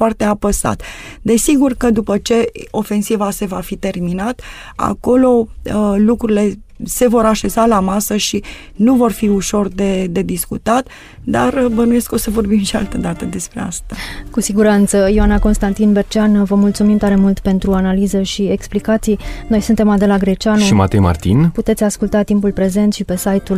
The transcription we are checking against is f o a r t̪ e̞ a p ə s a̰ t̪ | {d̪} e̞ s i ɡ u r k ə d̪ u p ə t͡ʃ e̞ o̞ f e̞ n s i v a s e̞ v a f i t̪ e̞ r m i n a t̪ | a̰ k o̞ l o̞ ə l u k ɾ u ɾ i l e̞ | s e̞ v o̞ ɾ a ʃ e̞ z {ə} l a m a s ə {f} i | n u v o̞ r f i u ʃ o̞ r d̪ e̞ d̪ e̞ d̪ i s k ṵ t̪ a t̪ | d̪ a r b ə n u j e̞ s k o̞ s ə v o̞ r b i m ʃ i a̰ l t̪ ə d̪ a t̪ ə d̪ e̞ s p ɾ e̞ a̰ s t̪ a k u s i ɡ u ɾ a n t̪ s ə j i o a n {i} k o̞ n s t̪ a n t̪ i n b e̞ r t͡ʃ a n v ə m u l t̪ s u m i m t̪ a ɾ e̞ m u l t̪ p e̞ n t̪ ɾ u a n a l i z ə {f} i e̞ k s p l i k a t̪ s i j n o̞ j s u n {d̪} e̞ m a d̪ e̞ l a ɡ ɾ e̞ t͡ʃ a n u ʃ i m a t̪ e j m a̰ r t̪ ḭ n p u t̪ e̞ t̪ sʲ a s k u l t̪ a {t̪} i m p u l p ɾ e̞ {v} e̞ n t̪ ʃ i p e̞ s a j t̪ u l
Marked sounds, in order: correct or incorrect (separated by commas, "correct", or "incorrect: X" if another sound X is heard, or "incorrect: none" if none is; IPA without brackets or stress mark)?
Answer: correct, incorrect: a, incorrect: ʃ, incorrect: a, incorrect: ʃ, incorrect: t̪, correct, incorrect: z